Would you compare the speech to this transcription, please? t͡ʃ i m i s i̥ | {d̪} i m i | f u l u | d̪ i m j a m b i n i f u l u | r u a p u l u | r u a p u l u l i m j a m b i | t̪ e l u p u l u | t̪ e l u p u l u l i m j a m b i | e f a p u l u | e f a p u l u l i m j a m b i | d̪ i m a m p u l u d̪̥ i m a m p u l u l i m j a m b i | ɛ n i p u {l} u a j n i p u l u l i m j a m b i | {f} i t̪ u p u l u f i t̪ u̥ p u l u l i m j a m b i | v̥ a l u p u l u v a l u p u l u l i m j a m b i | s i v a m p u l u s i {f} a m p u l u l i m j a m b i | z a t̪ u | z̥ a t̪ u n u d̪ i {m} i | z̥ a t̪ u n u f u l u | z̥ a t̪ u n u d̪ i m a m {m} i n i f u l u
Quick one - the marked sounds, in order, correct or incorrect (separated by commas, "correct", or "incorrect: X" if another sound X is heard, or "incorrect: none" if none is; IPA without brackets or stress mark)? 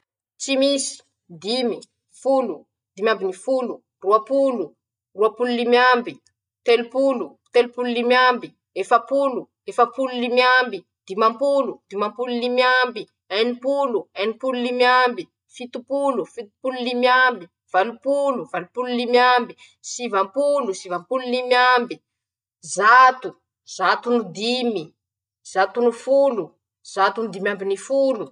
correct, correct, correct, incorrect: v, correct, incorrect: b